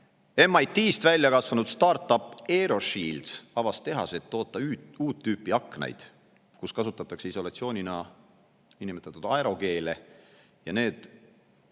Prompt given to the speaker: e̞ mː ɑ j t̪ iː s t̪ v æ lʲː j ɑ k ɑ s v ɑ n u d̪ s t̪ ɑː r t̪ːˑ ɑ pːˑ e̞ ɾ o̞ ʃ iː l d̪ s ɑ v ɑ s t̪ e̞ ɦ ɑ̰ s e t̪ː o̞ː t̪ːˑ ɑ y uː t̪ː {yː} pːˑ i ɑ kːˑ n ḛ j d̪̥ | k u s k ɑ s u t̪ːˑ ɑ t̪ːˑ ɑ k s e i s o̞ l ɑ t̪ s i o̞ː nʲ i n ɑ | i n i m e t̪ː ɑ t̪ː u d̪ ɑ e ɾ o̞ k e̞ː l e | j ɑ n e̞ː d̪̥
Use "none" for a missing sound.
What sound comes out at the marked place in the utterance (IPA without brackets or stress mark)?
yː